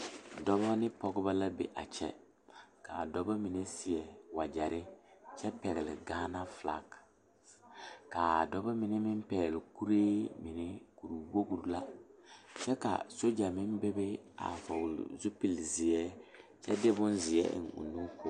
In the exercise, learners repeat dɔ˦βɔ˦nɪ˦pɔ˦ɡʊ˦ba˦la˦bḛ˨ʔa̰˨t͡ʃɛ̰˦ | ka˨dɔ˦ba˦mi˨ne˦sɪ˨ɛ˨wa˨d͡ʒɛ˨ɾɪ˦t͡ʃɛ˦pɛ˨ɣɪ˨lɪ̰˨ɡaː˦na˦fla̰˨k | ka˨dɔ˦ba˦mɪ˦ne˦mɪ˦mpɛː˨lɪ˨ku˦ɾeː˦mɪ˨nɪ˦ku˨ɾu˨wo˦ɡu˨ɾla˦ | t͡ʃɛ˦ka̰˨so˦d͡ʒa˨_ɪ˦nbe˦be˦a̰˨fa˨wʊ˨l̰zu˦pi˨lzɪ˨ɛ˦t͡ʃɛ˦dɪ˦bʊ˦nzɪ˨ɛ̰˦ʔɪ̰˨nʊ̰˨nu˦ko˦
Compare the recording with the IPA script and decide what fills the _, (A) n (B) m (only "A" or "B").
B